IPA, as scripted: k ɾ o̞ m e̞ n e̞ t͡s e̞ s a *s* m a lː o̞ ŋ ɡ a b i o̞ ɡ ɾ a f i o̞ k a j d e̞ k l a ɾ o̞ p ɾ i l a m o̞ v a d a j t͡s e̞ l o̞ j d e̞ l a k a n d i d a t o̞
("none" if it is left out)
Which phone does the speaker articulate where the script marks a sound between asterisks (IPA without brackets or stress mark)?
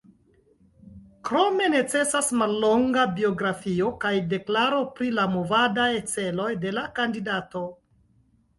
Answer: s